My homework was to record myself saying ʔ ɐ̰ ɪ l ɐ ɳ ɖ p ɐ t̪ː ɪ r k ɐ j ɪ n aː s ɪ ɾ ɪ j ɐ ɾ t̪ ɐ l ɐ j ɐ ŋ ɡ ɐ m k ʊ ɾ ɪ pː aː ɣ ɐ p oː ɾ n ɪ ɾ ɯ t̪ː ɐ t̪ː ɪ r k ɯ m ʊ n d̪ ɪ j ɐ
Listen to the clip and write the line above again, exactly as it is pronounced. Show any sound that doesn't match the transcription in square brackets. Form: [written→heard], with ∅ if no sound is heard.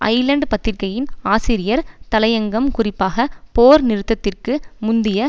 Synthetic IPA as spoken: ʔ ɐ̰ ɪ l ɐ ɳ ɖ p ɐ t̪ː ɪ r k ɐ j ɪ n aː s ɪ ɾ ɪ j ɐ ɾ t̪ ɐ l ɐ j ɐ ŋ ɡ ɐ m k ʊ [ɾ→r] ɪ pː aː ɣ ɐ p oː ɾ n ɪ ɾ ɯ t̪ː ɐ t̪ː ɪ r k ɯ m ʊ n d̪ ɪ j ɐ